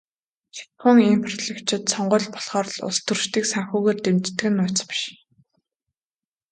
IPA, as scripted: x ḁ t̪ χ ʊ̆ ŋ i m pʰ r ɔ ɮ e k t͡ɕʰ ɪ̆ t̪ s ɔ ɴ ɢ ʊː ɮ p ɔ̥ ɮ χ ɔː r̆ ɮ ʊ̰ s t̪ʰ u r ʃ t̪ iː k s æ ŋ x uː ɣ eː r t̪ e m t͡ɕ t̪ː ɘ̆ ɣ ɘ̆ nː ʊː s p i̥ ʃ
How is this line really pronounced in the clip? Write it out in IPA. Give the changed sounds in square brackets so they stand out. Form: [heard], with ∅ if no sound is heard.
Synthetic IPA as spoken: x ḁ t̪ χ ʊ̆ ŋ i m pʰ r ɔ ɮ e k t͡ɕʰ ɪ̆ t̪ s ɔ ɴ ɢ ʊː ɮ p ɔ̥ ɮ χ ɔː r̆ ɮ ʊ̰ s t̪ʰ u r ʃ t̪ iː k s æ ŋ x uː ɣ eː r t̪ e m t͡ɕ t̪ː ɘ̆ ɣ ɘ̆ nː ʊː [t͡s] p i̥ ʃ